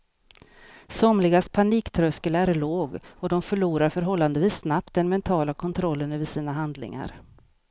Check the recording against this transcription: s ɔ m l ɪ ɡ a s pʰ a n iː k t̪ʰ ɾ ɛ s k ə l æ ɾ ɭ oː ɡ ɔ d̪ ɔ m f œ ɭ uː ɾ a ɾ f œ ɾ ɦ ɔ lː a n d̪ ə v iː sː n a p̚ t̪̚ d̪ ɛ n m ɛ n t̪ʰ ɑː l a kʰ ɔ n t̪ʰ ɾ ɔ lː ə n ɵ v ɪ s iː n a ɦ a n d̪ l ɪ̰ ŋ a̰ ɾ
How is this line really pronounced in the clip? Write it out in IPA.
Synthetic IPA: s ɔ m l ɪ ɡ a s pʰ a n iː k t̪ʰ ɾ œ s k ə l æ ɾ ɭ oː ɡ ɔ d̪ ɔ m f œ ɭ uː ɾ a ɾ f œ ɾ ɦ ɔ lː a n d̪ ə v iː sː n a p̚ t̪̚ d̪ ɛ n m ɛ n t̪ʰ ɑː l a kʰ ɔ n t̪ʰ ɾ ɔ lː ə n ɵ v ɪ s iː n a ɦ a n d̪ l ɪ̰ ŋ a̰ ɾ